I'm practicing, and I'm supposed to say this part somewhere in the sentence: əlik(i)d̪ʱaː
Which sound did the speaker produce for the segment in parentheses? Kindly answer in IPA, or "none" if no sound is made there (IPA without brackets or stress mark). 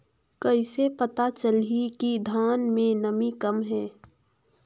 i